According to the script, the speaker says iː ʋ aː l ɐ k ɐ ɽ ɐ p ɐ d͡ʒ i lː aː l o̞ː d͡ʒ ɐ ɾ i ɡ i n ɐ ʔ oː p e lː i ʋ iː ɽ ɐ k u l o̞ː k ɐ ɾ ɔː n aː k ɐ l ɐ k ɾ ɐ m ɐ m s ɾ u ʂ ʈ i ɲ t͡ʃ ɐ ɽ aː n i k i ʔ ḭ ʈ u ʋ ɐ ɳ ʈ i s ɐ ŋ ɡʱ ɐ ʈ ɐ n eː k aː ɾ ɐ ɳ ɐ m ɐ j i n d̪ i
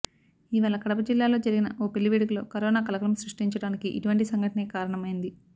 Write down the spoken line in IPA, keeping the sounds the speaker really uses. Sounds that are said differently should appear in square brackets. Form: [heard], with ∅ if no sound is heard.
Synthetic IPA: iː ʋ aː l ɐ k ɐ ɽ ɐ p ɐ d͡ʒ i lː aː l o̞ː d͡ʒ ɐ ɾ i ɡ i n ɐ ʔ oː p e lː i ʋ iː ɽ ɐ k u l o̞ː k ɐ ɾ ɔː n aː k ɐ l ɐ k ɾ ɐ m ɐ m s ɾ u ʂ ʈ i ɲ t͡ʃ ɐ ɽ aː n i k i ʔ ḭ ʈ u ʋ ɐ ɳ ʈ i s ɐ ŋ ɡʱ ɐ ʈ ɐ n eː k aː ɾ ɐ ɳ ɐ m ɐ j i n d̪ i